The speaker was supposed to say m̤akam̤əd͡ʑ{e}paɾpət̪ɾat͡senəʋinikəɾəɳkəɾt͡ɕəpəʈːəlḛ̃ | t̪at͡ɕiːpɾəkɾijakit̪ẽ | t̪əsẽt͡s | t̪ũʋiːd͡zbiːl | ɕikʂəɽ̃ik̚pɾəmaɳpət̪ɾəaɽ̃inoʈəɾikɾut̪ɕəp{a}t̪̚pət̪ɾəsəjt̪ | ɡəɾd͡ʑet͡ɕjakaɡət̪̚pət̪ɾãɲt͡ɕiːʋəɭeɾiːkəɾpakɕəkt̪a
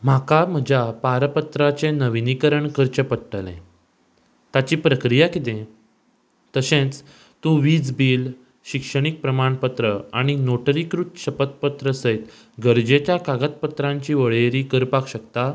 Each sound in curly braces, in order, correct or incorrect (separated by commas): incorrect, incorrect